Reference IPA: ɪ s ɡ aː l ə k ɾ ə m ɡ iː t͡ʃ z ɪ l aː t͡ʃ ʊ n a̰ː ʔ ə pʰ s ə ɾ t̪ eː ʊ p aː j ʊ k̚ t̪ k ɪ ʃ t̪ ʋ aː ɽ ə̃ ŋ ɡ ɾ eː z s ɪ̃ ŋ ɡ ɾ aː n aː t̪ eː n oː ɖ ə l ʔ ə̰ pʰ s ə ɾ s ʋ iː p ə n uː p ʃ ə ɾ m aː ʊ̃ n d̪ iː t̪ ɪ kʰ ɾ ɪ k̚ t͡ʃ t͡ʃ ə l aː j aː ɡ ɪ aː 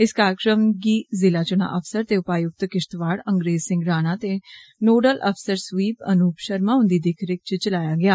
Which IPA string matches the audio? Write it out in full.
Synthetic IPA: ɪ s k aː ɾ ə k ɾ ə m ɡ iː z ɪ l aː t͡ʃ ʊ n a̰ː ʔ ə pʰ s ə ɾ t̪ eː ʊ p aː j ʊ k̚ t̪ k ɪ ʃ t̪ ʋ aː ɽ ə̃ ŋ ɡ ɾ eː z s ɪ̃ ŋ ɡ ɾ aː n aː t̪ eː n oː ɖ ə l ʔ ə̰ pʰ s ə ɾ s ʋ iː p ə n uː p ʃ ə ɾ m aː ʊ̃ n d̪ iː d̪ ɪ kʰ ɾ ɪ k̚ t͡ʃ t͡ʃ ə l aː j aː ɡ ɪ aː